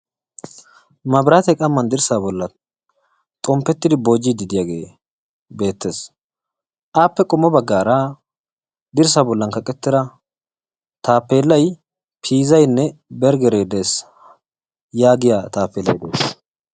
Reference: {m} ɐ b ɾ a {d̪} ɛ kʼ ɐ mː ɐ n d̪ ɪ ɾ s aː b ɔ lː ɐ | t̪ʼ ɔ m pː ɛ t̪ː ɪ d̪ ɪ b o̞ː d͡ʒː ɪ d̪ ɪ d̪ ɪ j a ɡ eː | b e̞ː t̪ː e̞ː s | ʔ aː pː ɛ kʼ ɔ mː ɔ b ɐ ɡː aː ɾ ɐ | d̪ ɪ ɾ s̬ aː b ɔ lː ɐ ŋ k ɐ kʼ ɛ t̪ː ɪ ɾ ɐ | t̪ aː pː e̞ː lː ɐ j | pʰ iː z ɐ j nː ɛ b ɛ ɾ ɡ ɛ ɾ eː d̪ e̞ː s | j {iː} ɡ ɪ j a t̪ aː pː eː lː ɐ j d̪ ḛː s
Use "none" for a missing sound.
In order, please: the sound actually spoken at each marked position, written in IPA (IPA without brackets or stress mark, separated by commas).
m, t̪, aː